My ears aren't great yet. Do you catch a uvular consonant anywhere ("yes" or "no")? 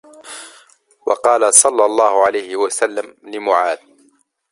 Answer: yes